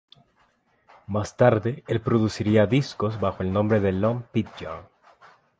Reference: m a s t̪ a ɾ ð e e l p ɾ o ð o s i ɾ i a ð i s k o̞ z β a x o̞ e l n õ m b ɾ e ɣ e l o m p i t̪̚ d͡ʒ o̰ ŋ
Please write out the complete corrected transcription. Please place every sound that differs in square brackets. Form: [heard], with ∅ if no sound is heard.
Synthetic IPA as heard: m a s t̪ a ɾ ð e e l p ɾ o ð [u] s i ɾ i a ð i s k o̞ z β a x o̞ e l n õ m b ɾ e [ð] e l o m p i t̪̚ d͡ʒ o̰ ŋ